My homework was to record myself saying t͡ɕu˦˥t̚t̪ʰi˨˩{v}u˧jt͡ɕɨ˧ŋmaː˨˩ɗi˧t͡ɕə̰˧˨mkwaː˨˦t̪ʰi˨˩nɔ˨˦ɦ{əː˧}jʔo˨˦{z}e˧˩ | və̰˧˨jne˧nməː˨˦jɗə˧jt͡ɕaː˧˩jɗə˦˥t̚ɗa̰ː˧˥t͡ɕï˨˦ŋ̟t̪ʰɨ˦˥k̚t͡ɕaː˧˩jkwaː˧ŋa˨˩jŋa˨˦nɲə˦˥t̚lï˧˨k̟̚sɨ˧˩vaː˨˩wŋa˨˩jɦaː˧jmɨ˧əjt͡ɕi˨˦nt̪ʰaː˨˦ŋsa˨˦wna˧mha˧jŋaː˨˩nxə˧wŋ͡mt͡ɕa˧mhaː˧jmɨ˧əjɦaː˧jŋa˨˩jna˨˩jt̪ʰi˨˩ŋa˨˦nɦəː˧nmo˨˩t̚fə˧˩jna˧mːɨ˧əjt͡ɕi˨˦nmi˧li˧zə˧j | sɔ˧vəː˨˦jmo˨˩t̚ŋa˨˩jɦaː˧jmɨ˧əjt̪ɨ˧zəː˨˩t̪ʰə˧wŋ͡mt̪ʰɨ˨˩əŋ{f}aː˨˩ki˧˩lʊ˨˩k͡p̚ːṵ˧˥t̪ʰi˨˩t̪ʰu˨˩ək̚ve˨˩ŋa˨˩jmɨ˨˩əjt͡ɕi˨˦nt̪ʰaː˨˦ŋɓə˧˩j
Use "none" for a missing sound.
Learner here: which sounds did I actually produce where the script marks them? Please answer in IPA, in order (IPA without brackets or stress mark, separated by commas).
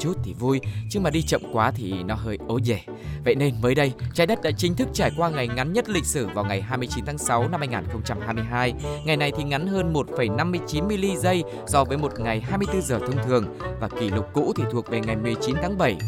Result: v, əː˧, z, v